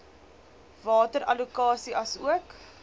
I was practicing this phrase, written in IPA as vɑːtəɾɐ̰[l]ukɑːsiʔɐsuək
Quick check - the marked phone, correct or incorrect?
correct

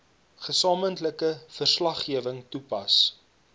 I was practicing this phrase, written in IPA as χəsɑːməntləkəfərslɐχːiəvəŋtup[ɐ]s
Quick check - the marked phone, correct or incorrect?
correct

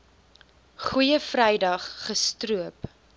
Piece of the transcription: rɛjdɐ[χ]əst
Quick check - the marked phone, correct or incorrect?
incorrect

